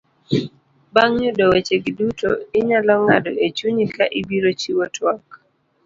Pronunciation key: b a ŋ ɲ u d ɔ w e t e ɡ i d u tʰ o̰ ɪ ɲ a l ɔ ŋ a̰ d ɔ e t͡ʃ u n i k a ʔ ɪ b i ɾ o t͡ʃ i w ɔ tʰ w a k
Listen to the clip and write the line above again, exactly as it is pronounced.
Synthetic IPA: b a ŋ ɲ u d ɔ w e t͡ʃ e ɡ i d u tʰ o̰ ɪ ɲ a l ɔ ŋ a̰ d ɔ e t͡ʃ u ɲ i k a ʔ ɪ b i ɾ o t͡ʃ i w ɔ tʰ w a k

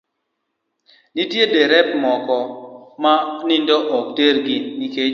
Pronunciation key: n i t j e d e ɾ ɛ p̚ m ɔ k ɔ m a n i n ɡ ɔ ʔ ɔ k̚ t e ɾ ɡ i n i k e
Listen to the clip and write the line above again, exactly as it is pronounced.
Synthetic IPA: n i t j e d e ɾ ɛ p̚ m ɔ k ɔ m a n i n d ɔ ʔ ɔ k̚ t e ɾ ɡ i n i k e

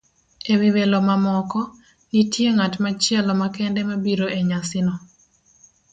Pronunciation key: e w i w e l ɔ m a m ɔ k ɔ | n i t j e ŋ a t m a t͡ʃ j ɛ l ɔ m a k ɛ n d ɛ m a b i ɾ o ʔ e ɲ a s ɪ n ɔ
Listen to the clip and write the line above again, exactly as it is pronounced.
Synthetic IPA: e w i w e l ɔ m a m ɔ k ɔ | n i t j e ŋ a t m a t͡ʃ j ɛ l ɔ m a k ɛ n d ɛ m a b i ɾ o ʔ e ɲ a s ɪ n ɔ

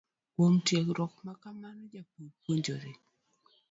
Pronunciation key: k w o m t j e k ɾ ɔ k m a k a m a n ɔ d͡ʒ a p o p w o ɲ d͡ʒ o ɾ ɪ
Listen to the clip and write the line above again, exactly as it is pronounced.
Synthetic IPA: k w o m t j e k ɾ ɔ k m a k a m a n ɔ d͡ʒ a p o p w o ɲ d͡ʒ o ɾ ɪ

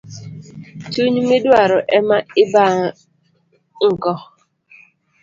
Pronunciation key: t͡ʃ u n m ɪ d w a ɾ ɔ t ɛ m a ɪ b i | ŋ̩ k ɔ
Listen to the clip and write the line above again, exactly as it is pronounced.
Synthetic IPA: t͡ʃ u ɲ m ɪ d w a ɾ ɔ ʔ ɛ m a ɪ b a | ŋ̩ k ɔ

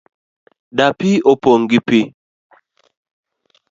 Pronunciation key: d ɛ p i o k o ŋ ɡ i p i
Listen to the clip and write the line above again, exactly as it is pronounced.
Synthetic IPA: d a p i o p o ŋ ɡ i p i

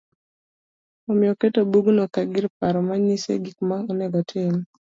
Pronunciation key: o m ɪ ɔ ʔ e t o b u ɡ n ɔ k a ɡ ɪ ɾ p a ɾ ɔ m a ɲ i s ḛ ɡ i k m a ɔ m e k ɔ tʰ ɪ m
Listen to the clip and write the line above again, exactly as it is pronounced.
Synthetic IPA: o m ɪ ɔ k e t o b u ɡ n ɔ k a ɡ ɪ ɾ p a ɾ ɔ m a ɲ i s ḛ ɡ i k m a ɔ n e ɡ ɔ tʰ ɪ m

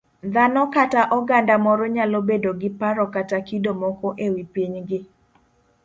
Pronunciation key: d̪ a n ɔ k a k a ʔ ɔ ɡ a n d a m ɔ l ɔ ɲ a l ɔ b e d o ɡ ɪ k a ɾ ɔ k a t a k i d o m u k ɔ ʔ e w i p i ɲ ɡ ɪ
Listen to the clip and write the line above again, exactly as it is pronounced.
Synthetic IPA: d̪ a n ɔ k a t a ʔ ɔ ɡ a n d a m ɔ ɾ ɔ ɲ a l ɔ b e d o ɡ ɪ p a ɾ ɔ k a t a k i d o m ɔ k ɔ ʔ e w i p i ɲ ɡ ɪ

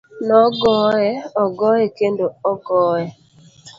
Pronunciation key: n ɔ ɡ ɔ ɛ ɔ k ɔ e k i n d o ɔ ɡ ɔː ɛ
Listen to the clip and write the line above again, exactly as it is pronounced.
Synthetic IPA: n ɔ ɡ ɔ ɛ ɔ ɡ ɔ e k e n d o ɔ ɡ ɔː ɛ

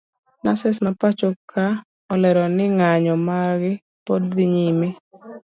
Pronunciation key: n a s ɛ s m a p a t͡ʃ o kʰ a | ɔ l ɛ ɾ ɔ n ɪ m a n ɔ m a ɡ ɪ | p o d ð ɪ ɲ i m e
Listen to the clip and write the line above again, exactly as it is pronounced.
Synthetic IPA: n a s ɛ s m a p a t͡ʃ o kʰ a | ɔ l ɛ ɾ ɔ n ɪ ŋ a ɲ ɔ m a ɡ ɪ | p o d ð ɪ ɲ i m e

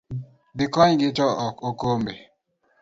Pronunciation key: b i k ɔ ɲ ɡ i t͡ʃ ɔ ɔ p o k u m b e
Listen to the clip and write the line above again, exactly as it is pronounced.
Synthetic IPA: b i k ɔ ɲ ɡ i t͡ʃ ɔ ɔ k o k o m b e

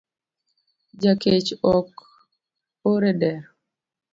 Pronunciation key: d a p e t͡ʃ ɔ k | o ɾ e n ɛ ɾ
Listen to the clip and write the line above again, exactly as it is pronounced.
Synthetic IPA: d͡ʒ a k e t͡ʃ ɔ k | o ɾ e d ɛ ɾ

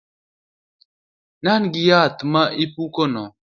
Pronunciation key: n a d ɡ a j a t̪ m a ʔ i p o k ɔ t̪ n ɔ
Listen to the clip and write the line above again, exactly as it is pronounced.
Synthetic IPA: n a n ɡ i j a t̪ m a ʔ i p u k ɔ n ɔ

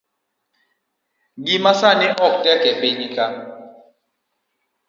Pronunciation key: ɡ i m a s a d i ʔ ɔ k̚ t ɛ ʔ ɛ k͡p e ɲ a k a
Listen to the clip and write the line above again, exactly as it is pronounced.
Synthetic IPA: ɡ i m a s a n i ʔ ɔ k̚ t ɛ k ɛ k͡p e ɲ i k a

